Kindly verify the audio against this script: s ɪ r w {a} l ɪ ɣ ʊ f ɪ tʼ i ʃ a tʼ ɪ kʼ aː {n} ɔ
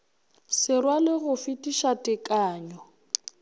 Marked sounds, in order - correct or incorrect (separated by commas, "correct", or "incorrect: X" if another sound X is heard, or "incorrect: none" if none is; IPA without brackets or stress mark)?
correct, incorrect: ɲ